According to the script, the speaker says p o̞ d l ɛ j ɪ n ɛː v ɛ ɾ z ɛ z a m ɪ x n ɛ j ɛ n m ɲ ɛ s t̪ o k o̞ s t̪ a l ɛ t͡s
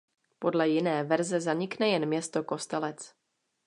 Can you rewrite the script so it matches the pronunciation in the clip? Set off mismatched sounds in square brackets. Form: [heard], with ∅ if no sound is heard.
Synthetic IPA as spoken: p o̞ d l ɛ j ɪ n ɛː v ɛ ɾ z ɛ z a [ɲ] ɪ [k] n ɛ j ɛ n m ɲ ɛ s t̪ o k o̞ s t̪ [ɛ] l ɛ t͡s